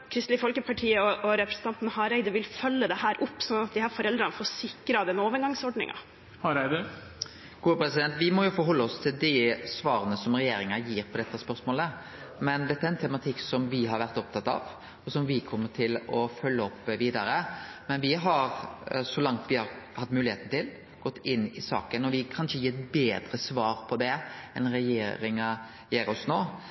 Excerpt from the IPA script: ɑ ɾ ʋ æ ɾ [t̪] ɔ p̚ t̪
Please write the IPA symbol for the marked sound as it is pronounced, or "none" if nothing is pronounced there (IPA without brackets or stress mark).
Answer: t̪